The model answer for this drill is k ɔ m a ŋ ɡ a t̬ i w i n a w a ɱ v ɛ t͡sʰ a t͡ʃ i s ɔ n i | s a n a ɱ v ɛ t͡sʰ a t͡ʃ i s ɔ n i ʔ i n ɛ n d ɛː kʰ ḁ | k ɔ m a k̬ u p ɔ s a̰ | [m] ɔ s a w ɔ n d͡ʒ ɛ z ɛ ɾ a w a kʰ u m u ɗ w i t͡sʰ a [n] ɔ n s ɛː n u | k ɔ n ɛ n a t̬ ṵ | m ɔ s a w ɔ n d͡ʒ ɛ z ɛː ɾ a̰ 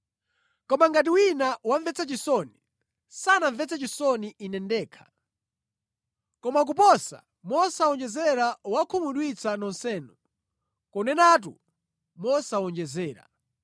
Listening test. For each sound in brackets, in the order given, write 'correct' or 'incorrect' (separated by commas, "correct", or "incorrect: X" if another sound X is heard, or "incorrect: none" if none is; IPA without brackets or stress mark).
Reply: correct, correct